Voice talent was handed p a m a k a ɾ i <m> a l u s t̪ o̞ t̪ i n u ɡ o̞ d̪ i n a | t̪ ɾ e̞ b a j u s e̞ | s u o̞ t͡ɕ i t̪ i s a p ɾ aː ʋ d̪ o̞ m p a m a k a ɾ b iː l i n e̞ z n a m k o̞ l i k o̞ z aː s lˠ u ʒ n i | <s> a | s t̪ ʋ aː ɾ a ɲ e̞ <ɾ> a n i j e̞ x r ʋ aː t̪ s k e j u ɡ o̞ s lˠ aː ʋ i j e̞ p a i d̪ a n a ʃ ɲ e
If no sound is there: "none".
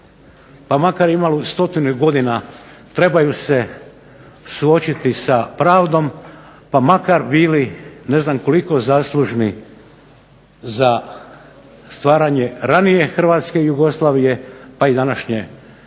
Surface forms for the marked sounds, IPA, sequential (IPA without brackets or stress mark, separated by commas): m, z, ɾ